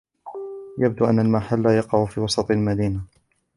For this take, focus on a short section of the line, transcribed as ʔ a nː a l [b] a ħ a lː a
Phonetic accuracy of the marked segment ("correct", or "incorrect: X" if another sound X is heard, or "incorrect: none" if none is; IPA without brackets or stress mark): incorrect: m